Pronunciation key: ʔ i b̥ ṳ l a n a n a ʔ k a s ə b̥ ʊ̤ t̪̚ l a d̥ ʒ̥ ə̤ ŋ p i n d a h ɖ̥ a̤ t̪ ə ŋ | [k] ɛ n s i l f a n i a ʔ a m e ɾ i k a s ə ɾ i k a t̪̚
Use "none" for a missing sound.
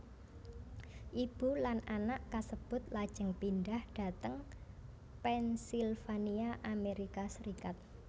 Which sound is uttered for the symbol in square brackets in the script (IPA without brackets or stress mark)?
p